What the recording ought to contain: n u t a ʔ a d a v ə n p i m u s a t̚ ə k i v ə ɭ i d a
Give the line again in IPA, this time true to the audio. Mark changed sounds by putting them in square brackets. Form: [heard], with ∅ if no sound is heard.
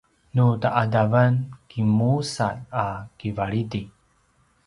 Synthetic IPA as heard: n u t a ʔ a d a v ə n [k] i m u s a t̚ [a] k i v [a] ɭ i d [i]